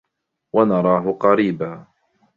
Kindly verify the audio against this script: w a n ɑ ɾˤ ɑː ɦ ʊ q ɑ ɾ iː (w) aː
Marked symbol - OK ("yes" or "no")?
no